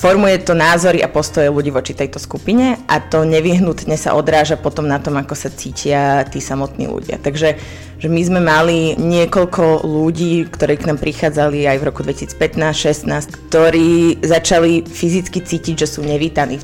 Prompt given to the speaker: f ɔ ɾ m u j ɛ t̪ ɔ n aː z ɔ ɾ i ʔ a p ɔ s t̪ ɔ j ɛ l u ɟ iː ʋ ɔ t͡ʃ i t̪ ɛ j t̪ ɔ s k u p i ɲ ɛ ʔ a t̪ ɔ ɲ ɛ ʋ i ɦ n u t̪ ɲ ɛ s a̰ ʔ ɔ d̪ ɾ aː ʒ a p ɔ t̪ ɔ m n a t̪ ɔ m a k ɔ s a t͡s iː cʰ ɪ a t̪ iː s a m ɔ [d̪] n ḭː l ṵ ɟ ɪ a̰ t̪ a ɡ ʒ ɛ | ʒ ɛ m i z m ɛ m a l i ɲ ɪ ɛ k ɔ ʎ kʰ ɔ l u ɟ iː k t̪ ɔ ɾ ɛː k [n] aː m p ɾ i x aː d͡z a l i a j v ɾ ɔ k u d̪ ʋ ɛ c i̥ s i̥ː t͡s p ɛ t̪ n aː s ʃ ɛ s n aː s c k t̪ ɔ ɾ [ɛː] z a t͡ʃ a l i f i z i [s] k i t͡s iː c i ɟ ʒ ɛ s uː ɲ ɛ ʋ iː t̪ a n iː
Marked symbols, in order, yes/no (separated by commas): no, yes, no, no